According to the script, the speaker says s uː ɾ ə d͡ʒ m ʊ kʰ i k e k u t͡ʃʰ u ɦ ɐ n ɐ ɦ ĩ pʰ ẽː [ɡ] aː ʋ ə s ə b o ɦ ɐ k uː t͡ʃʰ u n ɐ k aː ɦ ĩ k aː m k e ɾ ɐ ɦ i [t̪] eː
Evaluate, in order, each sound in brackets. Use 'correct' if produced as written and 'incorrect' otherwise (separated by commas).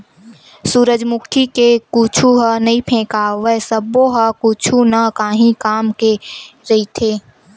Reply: incorrect, incorrect